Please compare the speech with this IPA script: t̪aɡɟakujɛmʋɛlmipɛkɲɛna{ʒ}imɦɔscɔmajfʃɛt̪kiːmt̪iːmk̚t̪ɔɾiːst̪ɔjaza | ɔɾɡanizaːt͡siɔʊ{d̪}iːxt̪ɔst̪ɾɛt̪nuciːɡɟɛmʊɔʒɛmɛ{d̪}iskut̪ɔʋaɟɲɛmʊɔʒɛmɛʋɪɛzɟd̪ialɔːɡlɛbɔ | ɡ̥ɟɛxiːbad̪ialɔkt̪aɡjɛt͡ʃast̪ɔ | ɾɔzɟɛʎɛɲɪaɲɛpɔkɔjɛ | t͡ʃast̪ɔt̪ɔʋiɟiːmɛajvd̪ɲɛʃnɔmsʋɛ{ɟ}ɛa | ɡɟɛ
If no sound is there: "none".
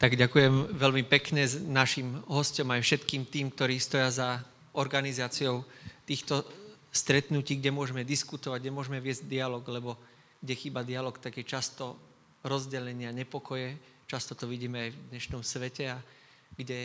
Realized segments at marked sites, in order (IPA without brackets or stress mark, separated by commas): ʃ, t̪, d̪, c